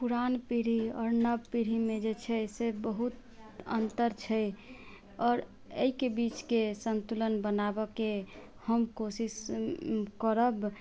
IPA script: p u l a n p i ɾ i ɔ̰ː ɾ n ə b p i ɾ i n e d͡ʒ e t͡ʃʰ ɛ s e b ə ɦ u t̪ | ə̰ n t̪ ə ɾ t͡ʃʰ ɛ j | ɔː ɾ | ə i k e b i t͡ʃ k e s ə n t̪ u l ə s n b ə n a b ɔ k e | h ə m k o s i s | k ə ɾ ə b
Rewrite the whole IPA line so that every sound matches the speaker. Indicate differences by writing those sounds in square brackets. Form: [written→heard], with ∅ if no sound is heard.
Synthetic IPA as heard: p u [l→ɾ] a n p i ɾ i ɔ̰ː ɾ n ə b p i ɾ i [n→m] e d͡ʒ e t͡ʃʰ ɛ s e b ə ɦ u t̪ | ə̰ n t̪ ə ɾ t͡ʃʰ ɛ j | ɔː ɾ | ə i k e b i t͡ʃ k e s ə n t̪ u l ə [s→∅] n b ə n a b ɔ k e | h ə m k o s i s | k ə ɾ ə b